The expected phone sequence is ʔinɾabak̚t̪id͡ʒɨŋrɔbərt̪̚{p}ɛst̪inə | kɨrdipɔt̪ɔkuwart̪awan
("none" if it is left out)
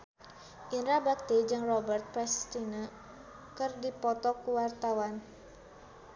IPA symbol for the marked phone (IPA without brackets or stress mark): p